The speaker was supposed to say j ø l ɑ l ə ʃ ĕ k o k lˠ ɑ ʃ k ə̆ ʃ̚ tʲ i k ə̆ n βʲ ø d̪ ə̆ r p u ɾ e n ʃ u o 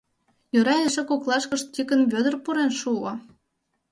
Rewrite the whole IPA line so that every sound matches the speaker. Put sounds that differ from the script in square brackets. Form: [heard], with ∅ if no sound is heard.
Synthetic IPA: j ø [ɾ] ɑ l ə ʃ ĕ k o k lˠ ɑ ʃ k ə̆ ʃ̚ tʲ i k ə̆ n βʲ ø d̪ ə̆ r p u ɾ e n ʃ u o